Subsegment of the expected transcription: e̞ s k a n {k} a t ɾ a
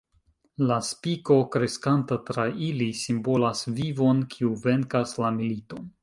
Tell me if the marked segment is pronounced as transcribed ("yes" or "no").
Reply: no